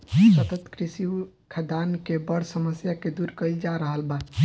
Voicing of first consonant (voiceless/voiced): voiceless